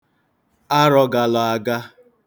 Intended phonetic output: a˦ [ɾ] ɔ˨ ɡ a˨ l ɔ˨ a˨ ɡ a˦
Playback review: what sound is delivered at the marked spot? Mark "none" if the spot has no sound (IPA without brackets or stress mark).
ɾ